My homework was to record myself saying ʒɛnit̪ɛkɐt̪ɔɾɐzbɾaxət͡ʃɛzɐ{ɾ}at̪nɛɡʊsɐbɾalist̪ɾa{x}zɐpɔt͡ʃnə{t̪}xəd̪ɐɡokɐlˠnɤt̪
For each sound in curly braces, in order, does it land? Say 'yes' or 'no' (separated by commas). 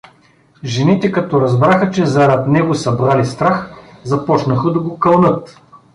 yes, yes, no